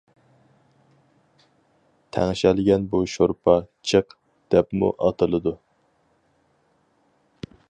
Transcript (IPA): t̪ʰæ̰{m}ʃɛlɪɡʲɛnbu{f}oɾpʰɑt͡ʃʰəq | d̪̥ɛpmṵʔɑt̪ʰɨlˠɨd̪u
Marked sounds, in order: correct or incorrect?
incorrect: ŋ, incorrect: ʃ

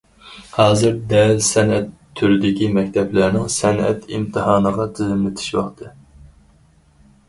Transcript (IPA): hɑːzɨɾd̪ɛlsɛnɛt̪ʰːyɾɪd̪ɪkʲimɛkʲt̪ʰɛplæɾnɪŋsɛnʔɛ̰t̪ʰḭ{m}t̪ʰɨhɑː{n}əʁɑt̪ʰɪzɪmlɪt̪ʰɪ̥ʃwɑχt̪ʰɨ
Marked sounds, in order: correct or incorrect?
correct, correct

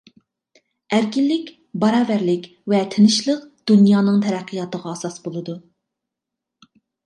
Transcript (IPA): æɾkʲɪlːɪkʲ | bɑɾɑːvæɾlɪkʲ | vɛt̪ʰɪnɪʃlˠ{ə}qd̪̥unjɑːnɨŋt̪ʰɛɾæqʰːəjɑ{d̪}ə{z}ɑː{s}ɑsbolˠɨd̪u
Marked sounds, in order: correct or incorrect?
correct, incorrect: t̪, incorrect: ʁ, correct

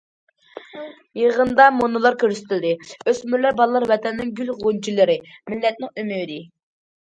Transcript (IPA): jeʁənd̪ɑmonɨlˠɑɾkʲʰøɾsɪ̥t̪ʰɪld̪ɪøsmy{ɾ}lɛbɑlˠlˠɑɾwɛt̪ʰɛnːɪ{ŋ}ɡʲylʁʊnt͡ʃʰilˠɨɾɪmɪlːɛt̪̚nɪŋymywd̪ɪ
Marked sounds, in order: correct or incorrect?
correct, correct

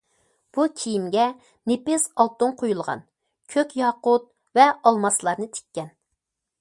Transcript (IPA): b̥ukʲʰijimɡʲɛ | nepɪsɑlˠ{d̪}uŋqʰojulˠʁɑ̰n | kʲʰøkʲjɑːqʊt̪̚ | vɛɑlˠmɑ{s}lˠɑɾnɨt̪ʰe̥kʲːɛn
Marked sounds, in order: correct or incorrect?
incorrect: t̪, correct

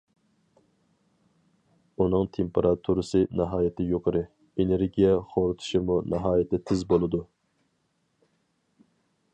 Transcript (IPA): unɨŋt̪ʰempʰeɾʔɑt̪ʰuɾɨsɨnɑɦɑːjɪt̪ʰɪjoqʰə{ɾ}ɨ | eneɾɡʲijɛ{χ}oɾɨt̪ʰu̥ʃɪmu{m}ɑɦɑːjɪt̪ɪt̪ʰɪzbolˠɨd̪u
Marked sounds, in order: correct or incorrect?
correct, correct, incorrect: n

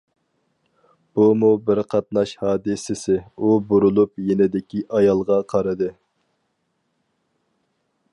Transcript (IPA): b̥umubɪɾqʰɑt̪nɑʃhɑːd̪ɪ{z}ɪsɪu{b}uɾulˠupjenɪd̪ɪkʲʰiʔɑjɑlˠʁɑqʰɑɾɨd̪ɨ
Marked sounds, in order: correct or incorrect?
incorrect: s, correct

